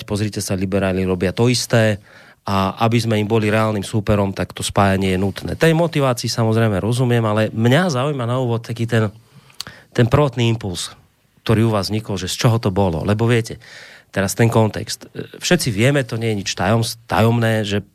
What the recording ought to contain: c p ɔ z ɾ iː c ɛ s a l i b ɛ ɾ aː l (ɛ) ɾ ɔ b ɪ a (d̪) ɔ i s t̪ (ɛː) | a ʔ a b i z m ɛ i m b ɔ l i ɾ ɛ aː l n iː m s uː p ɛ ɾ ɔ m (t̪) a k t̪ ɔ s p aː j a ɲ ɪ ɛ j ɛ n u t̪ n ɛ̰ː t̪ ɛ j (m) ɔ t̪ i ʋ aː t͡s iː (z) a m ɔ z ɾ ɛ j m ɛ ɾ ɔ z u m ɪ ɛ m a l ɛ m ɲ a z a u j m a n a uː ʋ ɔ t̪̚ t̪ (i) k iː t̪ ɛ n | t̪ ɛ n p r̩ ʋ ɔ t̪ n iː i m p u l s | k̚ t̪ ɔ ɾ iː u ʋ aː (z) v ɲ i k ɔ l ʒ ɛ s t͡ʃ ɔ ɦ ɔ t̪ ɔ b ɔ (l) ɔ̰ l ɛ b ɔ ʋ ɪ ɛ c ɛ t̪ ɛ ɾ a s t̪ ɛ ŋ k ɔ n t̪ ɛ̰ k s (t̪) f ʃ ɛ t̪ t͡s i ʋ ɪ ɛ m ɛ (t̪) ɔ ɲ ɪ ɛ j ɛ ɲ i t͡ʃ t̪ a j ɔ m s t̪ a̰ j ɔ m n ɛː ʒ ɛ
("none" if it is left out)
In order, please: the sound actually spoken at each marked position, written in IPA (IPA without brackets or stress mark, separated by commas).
i, t̪, ɛː, t̪, m, s, a, z, l, t̪, t̪